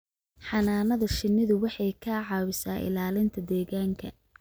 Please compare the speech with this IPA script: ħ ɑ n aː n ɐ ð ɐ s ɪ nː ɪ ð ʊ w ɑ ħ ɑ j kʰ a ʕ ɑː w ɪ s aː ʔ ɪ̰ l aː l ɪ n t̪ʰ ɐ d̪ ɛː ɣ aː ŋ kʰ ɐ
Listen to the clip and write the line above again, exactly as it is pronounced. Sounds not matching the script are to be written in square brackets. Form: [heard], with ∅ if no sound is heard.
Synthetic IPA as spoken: ħ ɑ n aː n ɐ ð ɐ [ʃ] ɪ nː ɪ ð ʊ w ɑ ħ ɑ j kʰ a ʕ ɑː w ɪ s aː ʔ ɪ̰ l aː l ɪ n t̪ʰ ɐ d̪ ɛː ɣ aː ŋ kʰ ɐ